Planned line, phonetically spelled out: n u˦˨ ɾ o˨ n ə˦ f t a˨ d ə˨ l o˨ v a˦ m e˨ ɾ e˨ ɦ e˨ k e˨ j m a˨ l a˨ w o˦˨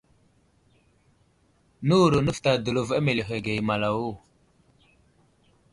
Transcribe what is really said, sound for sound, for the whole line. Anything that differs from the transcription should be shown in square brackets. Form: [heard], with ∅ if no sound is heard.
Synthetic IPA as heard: n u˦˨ ɾ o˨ n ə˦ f t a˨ d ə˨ l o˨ v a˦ m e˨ [l] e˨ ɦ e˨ [ɡ] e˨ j m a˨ l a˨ w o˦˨